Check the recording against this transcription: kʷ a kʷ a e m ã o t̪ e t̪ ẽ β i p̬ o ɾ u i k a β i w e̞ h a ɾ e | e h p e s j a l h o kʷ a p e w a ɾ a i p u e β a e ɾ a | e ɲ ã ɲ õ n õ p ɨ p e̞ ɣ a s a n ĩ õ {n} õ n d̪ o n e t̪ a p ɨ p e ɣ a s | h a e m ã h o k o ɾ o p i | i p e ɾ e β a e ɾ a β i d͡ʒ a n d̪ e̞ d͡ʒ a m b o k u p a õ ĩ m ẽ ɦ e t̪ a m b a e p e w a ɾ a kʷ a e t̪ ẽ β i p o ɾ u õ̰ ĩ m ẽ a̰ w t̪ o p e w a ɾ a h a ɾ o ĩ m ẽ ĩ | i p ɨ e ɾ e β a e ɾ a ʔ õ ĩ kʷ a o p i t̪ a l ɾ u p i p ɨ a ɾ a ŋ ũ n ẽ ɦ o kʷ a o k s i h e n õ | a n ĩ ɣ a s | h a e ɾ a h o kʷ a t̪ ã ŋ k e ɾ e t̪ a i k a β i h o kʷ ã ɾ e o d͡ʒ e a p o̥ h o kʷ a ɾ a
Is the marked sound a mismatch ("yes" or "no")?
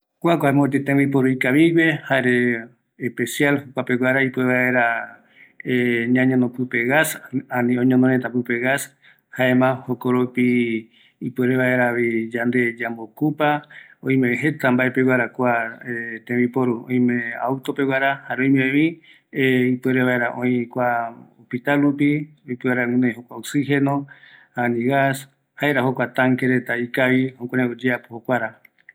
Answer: yes